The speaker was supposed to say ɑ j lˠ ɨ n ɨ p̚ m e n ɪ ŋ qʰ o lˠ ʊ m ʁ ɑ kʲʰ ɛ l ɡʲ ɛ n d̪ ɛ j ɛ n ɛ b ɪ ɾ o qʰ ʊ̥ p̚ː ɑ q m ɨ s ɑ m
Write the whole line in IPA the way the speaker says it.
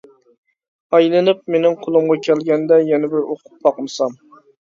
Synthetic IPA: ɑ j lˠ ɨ n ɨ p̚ m e n ɪ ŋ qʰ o lˠ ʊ m ʁ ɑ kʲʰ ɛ l ɡʲ ɛ n d̪ ɛ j ɛ n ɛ b ɪ ɾ o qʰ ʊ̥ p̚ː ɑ q m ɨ s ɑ m